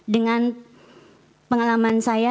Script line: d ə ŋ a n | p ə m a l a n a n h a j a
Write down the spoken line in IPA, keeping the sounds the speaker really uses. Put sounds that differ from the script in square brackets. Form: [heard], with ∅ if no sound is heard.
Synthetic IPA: d ə ŋ a n | p ə [ŋ] a l a [m] a n [s] a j a